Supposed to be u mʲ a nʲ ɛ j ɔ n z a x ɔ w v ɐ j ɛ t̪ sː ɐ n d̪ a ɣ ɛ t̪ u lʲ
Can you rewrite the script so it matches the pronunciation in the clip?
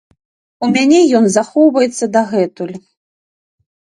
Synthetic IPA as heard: u mʲ a nʲ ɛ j ɔ n z a x ɔ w v ɐ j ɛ t̪ sː ɐ d̪ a ɣ ɛ t̪ u lʲ